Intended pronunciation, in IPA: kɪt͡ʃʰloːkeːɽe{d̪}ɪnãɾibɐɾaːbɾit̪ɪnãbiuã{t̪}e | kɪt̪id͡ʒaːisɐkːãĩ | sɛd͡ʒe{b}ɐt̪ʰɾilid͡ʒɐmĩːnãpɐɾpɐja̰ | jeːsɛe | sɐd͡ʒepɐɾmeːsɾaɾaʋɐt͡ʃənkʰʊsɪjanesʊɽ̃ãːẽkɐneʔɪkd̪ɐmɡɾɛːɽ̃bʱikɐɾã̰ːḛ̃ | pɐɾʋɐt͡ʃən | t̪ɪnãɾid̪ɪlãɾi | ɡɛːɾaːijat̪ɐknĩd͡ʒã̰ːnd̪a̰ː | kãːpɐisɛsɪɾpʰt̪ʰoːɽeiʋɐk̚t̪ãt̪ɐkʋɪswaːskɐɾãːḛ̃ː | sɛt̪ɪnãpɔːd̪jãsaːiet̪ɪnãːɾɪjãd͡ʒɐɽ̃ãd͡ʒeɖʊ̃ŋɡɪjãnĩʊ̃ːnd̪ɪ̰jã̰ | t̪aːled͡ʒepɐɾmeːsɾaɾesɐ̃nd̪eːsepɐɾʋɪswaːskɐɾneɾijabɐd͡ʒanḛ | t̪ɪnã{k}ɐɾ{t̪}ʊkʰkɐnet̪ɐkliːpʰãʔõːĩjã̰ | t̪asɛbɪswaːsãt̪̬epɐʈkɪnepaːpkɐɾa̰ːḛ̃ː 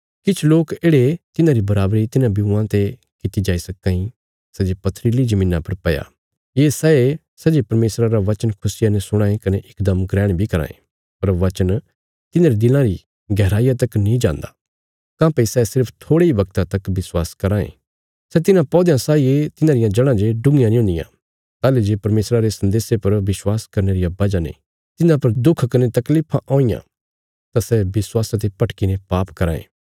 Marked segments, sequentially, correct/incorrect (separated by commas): incorrect, correct, incorrect, incorrect, incorrect